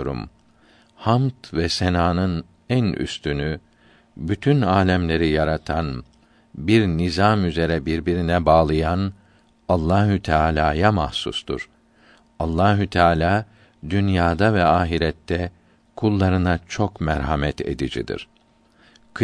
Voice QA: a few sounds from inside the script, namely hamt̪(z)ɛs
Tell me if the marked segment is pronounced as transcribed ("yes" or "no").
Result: no